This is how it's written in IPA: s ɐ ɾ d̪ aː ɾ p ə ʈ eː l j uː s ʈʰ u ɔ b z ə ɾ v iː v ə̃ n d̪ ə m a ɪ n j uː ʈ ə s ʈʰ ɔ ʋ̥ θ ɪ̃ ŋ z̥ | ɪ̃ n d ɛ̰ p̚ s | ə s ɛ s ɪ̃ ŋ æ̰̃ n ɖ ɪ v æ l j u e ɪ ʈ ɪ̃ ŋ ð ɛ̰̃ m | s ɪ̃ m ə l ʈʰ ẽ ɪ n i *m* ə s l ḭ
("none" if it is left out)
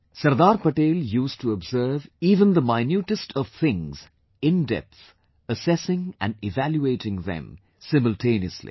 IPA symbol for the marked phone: none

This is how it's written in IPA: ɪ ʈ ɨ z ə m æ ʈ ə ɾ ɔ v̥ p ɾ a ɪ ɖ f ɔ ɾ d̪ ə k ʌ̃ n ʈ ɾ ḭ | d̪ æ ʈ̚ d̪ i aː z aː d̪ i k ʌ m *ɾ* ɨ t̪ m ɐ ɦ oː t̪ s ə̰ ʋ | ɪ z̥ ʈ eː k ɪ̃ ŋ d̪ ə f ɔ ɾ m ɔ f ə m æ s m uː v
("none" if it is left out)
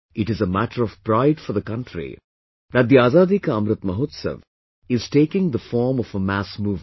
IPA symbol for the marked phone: ɾ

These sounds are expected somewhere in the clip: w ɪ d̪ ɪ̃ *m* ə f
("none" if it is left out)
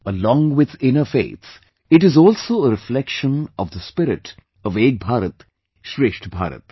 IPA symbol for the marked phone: n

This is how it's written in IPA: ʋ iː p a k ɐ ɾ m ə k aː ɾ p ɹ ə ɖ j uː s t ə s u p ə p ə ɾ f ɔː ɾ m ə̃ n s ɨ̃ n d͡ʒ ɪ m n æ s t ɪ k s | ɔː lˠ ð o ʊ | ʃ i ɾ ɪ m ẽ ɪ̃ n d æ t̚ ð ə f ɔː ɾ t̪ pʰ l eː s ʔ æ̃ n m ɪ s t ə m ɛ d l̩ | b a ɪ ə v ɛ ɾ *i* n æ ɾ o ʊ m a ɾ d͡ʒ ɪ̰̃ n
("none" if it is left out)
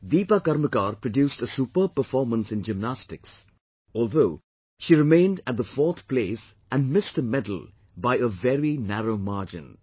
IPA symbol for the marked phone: i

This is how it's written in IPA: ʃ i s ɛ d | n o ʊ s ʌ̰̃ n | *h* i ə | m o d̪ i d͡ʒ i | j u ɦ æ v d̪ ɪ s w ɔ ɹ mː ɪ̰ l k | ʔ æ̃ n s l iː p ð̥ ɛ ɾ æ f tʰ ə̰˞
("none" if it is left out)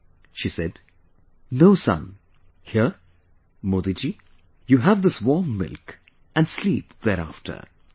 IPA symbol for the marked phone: h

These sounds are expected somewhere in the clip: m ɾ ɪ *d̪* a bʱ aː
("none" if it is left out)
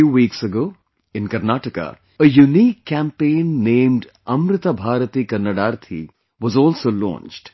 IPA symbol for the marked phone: t̪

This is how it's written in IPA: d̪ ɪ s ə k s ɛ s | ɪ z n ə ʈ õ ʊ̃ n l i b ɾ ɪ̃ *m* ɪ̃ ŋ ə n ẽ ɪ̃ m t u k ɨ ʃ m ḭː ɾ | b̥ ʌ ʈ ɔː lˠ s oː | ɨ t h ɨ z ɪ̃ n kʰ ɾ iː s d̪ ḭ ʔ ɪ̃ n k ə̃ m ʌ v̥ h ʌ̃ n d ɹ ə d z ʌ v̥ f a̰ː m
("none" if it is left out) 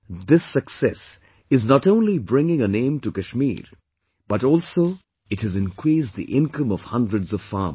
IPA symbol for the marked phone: ŋ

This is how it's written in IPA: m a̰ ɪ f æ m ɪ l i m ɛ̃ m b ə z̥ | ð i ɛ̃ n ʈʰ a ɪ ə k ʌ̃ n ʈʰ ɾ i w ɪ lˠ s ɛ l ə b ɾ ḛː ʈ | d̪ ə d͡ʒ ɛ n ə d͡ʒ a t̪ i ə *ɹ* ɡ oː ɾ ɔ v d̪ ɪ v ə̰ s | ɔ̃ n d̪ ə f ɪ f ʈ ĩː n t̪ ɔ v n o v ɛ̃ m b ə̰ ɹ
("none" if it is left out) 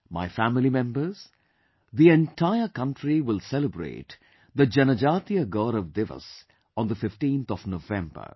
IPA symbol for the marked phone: none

